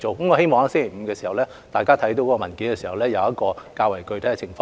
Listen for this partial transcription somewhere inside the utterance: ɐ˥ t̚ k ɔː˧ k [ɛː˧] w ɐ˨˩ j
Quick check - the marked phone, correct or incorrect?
incorrect